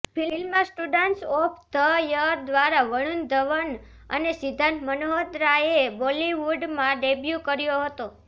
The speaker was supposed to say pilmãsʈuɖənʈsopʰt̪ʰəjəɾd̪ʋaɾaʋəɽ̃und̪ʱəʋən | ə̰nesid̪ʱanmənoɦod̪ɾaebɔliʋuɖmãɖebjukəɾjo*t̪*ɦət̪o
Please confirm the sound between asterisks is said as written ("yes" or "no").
no